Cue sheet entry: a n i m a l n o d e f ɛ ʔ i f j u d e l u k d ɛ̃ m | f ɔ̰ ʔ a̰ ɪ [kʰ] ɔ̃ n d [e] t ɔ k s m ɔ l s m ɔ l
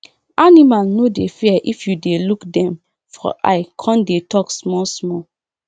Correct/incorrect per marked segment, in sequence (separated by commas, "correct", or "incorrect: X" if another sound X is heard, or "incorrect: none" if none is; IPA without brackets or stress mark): correct, correct